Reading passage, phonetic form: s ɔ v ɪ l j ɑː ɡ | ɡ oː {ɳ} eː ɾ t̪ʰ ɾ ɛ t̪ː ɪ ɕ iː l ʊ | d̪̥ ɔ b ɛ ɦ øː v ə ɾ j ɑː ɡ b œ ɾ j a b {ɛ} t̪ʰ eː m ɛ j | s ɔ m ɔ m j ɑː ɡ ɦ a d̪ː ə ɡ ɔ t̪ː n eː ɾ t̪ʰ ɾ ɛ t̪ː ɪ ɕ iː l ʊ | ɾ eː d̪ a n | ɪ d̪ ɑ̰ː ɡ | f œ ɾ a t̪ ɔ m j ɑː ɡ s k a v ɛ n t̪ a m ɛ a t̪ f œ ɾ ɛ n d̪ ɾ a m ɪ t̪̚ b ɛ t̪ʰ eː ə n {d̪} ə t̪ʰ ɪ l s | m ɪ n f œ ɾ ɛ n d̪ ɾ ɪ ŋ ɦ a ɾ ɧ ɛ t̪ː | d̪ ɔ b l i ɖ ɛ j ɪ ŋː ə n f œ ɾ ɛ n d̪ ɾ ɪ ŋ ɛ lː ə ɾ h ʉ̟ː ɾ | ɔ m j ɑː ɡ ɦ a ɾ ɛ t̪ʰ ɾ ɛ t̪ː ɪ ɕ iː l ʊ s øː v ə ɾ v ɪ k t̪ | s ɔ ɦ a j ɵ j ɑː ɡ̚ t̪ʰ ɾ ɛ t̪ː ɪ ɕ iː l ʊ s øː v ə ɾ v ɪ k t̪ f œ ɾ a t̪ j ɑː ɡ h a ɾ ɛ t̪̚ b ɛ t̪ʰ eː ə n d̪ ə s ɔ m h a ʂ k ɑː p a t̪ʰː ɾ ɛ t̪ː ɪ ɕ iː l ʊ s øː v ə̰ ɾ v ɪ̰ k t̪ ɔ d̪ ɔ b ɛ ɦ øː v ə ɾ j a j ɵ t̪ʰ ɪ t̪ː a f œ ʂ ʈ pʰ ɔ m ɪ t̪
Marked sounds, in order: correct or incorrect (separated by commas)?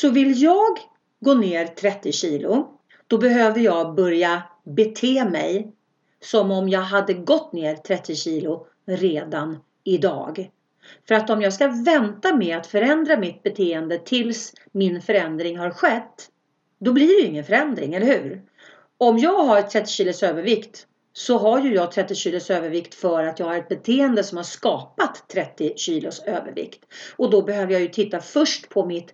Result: incorrect, correct, correct